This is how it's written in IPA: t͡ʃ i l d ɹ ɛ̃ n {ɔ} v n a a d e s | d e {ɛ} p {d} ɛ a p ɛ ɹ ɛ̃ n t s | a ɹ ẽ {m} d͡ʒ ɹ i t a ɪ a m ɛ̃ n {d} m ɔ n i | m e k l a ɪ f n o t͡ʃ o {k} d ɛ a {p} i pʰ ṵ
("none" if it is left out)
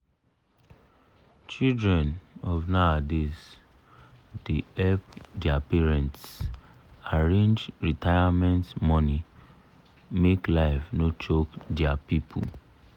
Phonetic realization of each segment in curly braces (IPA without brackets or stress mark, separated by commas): ɔ, ɛ, d, n, t, k, p